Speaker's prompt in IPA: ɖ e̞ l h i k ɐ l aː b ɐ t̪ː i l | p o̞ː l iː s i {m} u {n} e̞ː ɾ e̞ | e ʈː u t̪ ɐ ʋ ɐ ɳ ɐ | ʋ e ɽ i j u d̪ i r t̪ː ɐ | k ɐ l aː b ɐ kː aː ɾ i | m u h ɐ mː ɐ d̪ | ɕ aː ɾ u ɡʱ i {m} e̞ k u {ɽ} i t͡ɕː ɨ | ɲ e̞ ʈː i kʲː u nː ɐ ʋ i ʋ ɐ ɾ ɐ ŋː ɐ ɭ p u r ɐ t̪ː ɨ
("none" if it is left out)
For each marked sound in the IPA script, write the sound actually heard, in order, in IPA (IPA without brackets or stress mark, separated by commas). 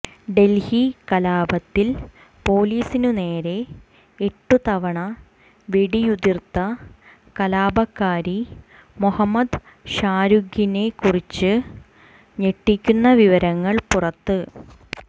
n, n, n, r